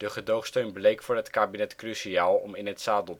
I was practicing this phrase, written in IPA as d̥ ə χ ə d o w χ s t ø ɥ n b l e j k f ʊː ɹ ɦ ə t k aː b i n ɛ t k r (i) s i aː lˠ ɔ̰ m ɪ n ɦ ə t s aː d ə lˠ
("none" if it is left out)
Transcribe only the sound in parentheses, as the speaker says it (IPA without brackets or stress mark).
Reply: y